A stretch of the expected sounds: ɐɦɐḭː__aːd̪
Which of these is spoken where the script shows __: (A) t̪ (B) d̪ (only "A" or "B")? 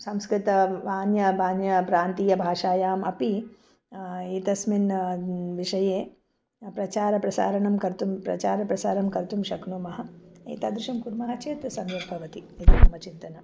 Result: A